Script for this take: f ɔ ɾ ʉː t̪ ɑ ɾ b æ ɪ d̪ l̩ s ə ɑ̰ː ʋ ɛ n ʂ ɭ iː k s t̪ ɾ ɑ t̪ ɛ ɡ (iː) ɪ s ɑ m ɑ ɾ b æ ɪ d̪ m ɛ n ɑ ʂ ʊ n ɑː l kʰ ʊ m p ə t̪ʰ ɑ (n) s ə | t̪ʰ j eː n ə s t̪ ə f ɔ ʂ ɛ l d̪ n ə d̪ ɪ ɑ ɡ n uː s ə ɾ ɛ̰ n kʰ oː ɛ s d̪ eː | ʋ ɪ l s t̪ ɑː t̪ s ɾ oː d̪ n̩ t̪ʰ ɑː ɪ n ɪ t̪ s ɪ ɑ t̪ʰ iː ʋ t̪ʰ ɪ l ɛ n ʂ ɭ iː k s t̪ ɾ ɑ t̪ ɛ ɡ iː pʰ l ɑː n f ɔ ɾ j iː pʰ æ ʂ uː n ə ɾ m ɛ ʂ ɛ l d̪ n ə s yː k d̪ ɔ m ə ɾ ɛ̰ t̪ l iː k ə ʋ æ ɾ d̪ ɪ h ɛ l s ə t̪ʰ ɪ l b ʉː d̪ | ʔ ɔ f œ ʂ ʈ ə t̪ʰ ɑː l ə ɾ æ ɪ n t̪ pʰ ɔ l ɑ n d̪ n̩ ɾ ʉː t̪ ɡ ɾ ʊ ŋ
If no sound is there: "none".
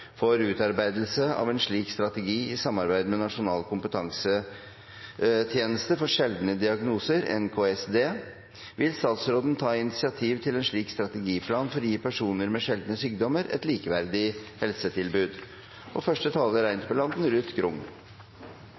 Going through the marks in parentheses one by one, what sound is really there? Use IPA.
iː, ŋ

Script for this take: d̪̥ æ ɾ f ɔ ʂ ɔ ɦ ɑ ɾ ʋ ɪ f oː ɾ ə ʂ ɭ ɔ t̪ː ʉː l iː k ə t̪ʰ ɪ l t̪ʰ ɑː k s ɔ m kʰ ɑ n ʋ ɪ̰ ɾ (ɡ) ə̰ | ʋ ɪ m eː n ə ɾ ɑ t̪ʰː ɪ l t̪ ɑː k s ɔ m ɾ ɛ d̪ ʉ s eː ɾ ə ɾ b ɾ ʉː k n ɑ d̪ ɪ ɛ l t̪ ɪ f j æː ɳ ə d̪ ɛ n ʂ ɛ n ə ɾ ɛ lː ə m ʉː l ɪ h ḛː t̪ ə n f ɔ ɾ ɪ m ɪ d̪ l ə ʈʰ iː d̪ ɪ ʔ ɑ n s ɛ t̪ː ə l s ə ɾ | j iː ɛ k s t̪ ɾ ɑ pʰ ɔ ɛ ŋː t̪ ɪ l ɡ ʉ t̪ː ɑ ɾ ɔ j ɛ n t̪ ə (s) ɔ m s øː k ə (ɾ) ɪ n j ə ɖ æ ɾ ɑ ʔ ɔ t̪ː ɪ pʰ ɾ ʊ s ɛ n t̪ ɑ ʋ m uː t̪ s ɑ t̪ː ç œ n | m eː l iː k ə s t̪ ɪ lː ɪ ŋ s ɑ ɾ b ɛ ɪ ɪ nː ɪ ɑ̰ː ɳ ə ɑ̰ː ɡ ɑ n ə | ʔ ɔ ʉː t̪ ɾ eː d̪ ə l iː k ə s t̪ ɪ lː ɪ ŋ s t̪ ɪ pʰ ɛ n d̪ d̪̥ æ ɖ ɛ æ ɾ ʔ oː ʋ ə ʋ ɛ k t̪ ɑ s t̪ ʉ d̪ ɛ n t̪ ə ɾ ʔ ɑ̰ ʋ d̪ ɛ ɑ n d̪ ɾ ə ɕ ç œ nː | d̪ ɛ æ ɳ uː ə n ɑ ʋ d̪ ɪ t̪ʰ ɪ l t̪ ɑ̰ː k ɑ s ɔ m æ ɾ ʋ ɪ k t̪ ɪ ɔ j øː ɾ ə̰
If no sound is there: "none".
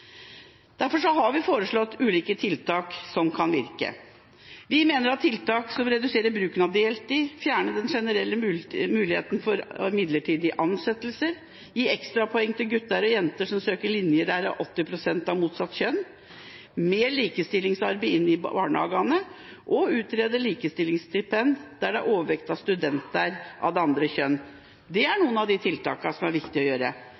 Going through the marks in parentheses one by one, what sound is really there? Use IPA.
k, ʂ, ɭ

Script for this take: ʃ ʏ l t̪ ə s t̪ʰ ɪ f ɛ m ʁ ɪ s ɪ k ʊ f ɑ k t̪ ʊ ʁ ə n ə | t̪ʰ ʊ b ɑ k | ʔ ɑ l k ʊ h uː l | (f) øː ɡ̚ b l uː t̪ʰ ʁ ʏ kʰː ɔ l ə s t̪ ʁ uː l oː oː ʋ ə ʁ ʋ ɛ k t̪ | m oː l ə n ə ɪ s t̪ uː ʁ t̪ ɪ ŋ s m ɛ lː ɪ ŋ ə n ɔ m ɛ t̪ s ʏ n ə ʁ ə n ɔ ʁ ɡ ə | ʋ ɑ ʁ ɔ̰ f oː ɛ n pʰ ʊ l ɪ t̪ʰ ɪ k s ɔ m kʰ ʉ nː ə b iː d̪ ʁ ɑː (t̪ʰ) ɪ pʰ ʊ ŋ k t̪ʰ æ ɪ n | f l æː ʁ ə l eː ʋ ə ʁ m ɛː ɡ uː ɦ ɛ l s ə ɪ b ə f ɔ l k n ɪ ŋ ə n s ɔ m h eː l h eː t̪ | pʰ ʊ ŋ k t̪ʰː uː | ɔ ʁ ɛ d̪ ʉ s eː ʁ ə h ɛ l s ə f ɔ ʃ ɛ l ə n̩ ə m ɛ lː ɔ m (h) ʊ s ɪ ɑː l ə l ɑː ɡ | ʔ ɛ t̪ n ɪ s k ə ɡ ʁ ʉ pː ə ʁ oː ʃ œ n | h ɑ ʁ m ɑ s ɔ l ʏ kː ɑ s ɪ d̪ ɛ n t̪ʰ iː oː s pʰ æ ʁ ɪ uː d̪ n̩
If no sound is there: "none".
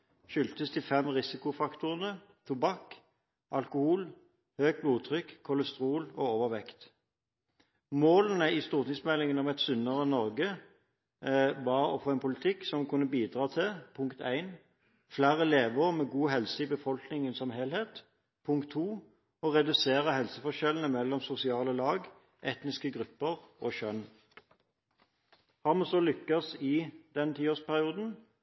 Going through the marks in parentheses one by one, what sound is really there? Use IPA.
h, t̪ʰ, s

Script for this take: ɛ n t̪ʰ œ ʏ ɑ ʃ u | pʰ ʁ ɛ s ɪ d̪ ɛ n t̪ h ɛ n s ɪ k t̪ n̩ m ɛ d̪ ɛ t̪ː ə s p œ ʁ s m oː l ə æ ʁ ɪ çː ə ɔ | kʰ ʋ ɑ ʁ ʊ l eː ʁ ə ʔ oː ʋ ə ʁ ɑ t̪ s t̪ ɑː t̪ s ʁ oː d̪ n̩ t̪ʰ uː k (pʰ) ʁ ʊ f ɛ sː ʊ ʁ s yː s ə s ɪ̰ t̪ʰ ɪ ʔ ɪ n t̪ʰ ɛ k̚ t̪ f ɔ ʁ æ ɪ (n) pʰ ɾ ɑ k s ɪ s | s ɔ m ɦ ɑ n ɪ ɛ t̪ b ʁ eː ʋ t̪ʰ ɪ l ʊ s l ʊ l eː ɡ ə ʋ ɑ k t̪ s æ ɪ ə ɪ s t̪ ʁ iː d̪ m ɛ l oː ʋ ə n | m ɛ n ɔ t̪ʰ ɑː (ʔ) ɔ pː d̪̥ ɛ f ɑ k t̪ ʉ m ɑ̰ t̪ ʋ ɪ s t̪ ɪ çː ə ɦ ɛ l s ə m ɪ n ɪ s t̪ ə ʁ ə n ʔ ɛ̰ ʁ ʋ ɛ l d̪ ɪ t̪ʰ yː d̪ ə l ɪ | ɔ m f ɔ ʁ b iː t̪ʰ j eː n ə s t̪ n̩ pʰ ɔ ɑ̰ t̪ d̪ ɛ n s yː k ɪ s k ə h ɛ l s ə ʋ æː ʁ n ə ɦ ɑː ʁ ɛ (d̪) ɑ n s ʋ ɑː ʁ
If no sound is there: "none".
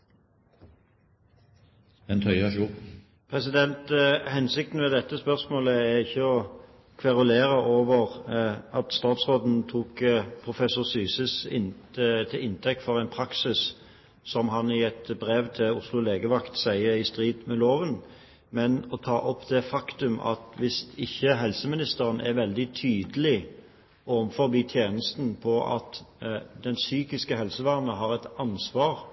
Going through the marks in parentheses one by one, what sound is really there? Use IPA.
pʰ, n, ʔ, t̪

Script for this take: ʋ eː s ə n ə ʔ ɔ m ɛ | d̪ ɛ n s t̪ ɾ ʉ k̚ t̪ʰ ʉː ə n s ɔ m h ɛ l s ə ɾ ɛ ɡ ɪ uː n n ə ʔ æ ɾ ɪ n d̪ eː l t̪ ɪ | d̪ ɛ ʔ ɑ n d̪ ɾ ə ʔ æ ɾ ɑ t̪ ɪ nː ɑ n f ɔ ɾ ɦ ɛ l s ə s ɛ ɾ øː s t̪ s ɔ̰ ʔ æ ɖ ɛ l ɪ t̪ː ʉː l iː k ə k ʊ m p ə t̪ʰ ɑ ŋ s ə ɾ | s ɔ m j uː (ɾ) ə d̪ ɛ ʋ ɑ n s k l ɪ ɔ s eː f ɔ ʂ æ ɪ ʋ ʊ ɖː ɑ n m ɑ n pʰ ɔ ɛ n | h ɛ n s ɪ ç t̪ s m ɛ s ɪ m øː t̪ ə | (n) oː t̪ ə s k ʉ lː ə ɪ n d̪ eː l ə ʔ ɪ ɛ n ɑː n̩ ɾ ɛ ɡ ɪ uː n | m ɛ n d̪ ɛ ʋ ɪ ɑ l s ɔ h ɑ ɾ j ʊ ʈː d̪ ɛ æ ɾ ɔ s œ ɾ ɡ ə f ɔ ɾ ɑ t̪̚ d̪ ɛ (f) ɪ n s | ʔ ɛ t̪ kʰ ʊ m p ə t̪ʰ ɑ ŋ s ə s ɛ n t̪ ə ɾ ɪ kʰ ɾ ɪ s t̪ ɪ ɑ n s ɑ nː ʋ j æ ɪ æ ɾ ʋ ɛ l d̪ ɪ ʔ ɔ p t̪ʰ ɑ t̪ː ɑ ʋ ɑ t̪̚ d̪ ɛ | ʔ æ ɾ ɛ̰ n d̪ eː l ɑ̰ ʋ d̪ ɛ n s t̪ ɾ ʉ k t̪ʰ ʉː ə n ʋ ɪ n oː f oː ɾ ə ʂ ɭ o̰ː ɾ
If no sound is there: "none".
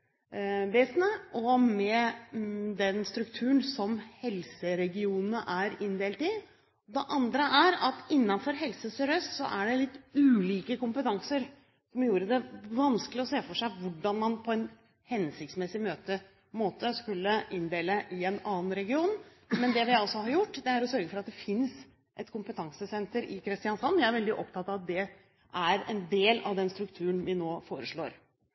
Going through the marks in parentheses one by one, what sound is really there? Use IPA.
ɾ, m, f

